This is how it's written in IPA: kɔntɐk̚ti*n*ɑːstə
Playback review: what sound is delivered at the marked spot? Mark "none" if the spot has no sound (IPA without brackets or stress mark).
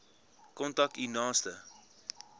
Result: n